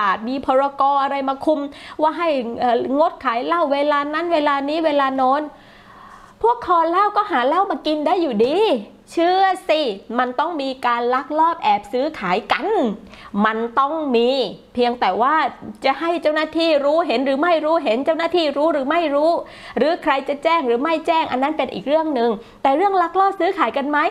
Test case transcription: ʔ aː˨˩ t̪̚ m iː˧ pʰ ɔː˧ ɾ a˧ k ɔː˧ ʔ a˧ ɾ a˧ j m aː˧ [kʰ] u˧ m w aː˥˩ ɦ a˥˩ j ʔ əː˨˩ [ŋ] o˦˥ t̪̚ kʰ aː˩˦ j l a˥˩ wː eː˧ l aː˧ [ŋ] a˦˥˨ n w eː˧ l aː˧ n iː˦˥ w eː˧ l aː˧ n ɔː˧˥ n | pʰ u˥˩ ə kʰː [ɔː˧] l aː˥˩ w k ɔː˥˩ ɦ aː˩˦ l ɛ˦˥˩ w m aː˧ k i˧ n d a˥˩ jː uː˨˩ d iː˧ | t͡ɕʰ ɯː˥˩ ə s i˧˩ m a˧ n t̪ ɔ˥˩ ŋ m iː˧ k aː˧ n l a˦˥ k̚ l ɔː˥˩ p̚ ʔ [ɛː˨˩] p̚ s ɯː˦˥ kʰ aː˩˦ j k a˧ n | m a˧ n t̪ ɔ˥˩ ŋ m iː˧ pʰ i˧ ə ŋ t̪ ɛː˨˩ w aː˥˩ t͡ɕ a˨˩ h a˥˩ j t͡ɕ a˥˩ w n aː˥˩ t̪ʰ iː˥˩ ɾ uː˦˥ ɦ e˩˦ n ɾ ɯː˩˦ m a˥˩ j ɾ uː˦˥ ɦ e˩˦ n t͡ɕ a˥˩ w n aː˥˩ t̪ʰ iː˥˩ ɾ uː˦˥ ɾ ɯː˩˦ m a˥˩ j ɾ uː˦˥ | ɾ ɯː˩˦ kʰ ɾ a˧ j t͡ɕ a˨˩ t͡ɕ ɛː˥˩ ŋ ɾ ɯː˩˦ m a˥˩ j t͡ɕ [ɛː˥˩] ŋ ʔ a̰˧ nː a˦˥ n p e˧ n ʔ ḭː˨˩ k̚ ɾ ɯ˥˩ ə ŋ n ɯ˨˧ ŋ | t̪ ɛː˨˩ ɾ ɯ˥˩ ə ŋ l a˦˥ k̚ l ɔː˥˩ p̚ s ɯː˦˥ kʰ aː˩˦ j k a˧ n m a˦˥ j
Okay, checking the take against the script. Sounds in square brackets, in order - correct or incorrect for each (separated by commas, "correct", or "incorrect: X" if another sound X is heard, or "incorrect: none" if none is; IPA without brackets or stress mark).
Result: correct, correct, incorrect: n, correct, correct, correct